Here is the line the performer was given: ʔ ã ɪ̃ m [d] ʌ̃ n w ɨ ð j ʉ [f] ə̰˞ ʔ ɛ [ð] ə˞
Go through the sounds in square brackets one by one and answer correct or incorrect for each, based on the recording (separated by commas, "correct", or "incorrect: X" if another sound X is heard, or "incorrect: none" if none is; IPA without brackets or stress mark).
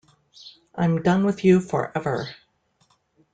correct, correct, incorrect: v